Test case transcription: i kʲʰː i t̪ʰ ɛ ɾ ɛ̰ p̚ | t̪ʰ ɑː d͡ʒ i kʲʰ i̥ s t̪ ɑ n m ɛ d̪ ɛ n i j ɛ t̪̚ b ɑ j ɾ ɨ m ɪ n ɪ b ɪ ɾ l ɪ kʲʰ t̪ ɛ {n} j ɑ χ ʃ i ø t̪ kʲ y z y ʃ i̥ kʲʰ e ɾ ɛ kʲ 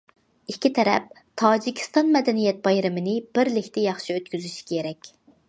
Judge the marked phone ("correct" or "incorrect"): incorrect